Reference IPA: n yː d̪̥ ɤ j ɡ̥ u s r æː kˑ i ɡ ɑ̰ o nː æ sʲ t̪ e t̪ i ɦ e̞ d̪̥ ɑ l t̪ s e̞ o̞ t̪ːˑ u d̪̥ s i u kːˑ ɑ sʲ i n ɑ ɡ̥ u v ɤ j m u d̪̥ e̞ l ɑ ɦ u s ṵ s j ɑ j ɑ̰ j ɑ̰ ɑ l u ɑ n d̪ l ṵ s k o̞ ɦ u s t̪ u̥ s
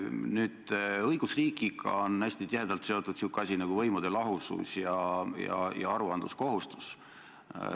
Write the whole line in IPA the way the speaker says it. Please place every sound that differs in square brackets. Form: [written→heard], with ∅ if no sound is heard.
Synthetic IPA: n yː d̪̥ ɤ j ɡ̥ u s r [æː→iː] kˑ i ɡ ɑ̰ o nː æ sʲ t̪ [e→i] t̪ i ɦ e̞ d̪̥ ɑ l t̪ s e̞ o̞ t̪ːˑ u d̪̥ s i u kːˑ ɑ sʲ i n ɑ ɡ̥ u v ɤ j m u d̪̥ e̞ l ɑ ɦ u s ṵ s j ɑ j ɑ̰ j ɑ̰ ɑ [l→ɾ] u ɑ n d̪ l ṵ s k o̞ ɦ u s t̪ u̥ s

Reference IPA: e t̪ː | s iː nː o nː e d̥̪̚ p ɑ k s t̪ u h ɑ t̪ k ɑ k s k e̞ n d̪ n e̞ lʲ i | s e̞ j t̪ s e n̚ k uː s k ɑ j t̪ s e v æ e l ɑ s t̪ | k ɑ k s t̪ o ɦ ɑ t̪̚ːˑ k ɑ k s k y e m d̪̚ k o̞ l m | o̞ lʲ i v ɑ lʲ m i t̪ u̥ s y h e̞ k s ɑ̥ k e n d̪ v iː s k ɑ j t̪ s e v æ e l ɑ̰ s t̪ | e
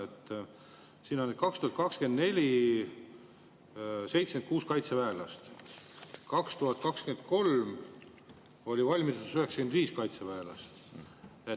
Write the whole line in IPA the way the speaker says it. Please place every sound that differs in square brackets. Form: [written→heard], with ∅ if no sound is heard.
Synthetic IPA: e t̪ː | s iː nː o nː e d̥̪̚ [p→k] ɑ k s t̪ u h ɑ t̪ k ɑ k s k e̞ n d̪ n e̞ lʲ i | s e̞ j t̪ s e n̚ k uː s k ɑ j t̪ s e v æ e l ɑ s t̪ | k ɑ k s t̪ [o→u] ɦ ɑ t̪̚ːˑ k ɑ k s k y e [m→n] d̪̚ k o̞ l m | o̞ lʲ i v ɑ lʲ m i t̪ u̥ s y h e̞ k s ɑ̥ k e n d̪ v iː s k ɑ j t̪ s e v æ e l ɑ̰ s t̪ | e

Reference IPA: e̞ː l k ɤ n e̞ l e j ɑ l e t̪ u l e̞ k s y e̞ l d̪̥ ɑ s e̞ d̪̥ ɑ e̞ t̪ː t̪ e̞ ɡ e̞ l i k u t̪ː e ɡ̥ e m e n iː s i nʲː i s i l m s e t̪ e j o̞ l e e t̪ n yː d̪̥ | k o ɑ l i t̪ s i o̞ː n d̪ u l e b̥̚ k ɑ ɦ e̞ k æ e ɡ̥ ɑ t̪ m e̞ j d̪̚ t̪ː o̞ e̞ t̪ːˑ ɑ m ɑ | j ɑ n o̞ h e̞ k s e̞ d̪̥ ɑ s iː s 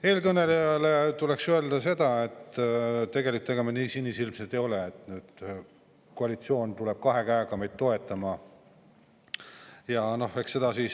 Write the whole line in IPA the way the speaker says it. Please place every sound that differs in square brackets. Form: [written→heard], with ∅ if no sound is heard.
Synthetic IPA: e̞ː l k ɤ n e̞ l e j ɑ l e t̪ u l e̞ k s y e̞ l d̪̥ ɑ s e̞ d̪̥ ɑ e̞ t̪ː t̪ e̞ ɡ e̞ l i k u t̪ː e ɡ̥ e m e n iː s i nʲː i s i l m s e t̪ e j o̞ l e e t̪ n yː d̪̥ | k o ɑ l i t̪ s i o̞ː n [d̪→t̪] u l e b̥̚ k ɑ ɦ e̞ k æ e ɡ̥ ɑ [t̪→∅] m e̞ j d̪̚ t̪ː o̞ e̞ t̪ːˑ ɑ m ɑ | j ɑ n o̞ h e̞ k s e̞ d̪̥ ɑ s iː s

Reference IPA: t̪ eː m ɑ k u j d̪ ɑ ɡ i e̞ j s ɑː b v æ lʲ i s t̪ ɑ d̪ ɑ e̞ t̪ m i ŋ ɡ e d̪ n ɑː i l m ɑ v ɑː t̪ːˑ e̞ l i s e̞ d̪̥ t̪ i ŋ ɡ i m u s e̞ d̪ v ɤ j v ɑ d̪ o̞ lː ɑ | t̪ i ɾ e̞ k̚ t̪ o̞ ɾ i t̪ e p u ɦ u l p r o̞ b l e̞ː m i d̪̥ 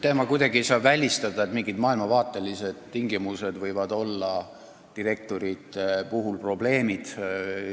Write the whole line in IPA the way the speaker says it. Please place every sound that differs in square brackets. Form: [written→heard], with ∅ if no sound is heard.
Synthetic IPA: t̪ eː m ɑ k u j d̪ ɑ ɡ i e̞ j s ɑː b v æ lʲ i s t̪ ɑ d̪ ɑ e̞ t̪ m i ŋ ɡ [e→i] d̪ [n→m] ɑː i l m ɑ v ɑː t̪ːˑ e̞ l i s e̞ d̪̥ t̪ i ŋ ɡ i m u s e̞ d̪ v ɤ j v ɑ d̪ o̞ lː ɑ | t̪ i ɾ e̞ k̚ t̪ o̞ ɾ i t̪ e p u ɦ u l p r o̞ b l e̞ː m i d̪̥

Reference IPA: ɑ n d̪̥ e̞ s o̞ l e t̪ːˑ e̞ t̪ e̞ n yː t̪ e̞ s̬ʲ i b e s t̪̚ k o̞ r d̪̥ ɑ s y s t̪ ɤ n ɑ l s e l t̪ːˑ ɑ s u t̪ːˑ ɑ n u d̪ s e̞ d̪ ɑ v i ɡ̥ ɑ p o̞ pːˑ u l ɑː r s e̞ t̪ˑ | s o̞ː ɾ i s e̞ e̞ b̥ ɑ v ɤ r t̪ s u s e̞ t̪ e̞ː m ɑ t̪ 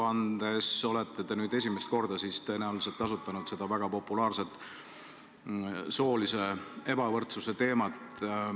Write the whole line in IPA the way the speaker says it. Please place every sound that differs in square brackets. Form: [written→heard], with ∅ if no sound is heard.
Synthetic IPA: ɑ n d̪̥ e̞ s o̞ l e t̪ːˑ e̞ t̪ e̞ n yː [t̪→d̪] e̞ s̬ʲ i [b→m] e s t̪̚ k o̞ r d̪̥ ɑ s [y→i] s t̪ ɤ n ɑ l s e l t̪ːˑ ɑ s u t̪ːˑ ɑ n u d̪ s e̞ d̪ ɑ v [i→æ] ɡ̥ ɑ p o̞ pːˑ u l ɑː r s e̞ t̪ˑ | s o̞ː [ɾ→l] i s e̞ e̞ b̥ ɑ v ɤ r t̪ s u s e̞ t̪ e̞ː m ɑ t̪

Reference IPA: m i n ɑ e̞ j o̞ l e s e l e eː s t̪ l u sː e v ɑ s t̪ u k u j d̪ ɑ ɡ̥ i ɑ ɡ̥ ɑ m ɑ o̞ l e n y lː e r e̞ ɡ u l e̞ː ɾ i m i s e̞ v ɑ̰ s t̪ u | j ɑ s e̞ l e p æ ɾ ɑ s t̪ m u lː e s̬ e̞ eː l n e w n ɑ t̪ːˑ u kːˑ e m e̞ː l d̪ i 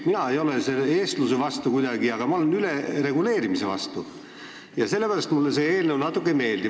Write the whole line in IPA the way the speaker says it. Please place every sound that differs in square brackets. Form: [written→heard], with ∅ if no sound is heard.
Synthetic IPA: m i n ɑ e̞ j o̞ l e s e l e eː s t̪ l u [sː→s] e v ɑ s t̪ u k u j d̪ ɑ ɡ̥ i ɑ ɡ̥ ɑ m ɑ o̞ l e n y [lː→l] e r e̞ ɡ u l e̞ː ɾ i m i s e̞ v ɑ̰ s t̪ u | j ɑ s e̞ [l→lː] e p æ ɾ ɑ s t̪ m u lː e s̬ e̞ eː l n e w n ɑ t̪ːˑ u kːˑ e m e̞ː l d̪ i

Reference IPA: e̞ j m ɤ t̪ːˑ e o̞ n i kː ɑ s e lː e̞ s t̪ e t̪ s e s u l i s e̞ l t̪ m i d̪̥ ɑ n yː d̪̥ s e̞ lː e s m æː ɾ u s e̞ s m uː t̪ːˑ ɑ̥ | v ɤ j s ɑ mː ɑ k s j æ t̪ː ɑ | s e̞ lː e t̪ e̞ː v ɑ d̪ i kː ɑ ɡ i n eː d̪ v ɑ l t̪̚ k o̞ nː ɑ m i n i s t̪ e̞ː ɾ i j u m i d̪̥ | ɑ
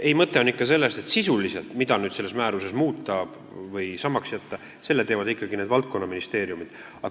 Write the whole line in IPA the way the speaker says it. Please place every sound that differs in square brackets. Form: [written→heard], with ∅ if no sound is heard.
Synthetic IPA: e̞ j m ɤ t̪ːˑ e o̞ n i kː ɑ s e lː e̞ s t̪ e t̪ s [e→i] s u l i s e̞ l t̪ m i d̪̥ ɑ n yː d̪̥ s e̞ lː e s m æː ɾ u s e̞ s m uː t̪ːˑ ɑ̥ | v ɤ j s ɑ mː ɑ k s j æ t̪ː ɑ | s e̞ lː e t̪ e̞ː v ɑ d̪ i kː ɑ ɡ i n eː d̪ v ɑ l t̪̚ k o̞ nː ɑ m i n i s t̪ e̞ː ɾ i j u m i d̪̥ | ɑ

